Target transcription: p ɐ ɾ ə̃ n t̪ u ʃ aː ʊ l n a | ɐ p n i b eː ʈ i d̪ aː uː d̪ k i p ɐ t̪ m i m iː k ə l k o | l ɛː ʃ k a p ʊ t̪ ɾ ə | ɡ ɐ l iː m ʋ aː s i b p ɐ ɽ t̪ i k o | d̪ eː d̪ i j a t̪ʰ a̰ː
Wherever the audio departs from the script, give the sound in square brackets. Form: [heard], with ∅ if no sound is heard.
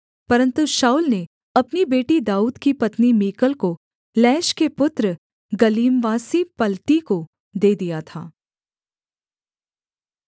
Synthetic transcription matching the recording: p ɐ ɾ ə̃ n t̪ u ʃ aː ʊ l n [e] | ɐ p n i b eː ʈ i d̪ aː uː d̪ k i p ɐ t̪ [n] i m iː k ə l k o | l ɛː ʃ k [e] p ʊ t̪ ɾ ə | ɡ ɐ l iː m ʋ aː s i [∅] p ɐ [l] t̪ i k o | d̪ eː d̪ i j a t̪ʰ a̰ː